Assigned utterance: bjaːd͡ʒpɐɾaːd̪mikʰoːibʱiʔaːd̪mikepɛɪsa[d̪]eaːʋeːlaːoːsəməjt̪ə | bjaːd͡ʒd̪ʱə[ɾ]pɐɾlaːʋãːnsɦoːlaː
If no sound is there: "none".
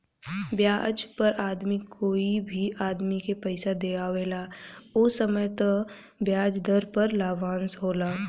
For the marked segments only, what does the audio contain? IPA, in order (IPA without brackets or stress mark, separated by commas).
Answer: d̪, ɾ